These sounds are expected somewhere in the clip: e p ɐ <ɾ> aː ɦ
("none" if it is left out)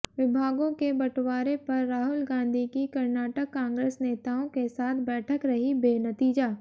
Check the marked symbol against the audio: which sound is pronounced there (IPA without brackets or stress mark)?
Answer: ɾː